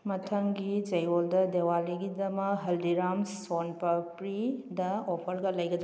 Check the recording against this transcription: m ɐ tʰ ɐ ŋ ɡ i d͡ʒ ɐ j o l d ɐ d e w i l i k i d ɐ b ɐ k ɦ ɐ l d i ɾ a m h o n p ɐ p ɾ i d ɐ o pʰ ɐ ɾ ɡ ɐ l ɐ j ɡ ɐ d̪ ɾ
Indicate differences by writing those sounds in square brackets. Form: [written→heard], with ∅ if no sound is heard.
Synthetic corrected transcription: m ɐ tʰ ɐ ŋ ɡ i d͡ʒ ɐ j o l d ɐ d e w [i→a] l i [k→ɡ] i d ɐ [b→m] ɐ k ɦ ɐ l d i ɾ a m [h→s] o n p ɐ p ɾ i d ɐ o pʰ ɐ ɾ ɡ ɐ l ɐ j ɡ ɐ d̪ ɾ